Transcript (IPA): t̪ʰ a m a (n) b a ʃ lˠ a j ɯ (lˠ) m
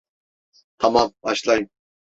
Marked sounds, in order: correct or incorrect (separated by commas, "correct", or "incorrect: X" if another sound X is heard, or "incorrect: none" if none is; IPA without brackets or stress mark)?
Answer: incorrect: m, incorrect: none